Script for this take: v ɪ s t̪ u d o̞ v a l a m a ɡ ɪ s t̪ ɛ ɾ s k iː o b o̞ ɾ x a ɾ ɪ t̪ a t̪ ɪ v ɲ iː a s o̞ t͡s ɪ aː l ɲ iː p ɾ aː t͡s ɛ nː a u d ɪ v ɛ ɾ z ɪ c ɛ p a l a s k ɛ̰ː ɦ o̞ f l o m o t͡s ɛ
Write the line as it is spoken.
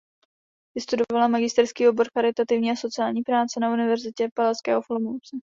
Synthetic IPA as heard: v ɪ s t̪ u d o̞ v a l a m a ɡ ɪ s t̪ ɛ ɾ s k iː o b o̞ ɾ x a ɾ ɪ t̪ a t̪ ɪ v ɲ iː a s o̞ t͡s ɪ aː l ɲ iː p ɾ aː t͡s ɛ n a u n ɪ v ɛ ɾ z ɪ c ɛ p a l a s k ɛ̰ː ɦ o̞ f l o m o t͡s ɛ